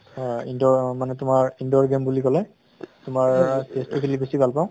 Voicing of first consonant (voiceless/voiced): voiced